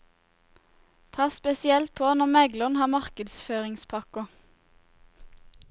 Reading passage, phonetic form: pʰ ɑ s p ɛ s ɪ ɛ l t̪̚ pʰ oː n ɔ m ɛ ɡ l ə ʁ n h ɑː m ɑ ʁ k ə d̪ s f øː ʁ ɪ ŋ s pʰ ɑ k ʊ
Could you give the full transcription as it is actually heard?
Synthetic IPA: pʰ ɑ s p ɛ s ɪ ɛ l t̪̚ pʰ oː n ɔ m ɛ ɡ l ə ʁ n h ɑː m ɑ ʁ k ə d̪ s f øː ʁ ɪ ŋ s pʰ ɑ k ʊ